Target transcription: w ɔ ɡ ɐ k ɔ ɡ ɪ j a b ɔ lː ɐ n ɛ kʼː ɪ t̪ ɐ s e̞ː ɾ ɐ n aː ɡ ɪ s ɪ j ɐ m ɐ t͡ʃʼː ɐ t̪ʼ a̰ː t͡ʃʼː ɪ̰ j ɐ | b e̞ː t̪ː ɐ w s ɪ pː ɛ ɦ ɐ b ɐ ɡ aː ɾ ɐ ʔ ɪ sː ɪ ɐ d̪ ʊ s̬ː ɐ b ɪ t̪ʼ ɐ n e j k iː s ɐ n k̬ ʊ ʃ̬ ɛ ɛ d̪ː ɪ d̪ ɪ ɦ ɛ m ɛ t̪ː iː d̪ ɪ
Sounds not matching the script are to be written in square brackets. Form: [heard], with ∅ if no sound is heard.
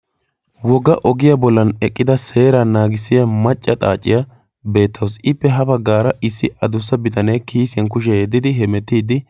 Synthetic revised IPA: w ɔ ɡ ɐ [ʔ] ɔ ɡ ɪ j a b ɔ lː ɐ n ɛ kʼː ɪ [d̪] ɐ s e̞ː ɾ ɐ n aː ɡ ɪ s ɪ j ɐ m ɐ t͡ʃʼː ɐ t̪ʼ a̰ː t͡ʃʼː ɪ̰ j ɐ | b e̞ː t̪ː ɐ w s ɪ pː ɛ ɦ ɐ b ɐ ɡ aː ɾ ɐ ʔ ɪ sː ɪ ɐ d̪ ʊ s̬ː ɐ b ɪ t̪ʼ ɐ n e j k iː s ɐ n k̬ ʊ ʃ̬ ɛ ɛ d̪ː ɪ d̪ ɪ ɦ ɛ m ɛ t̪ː iː d̪ ɪ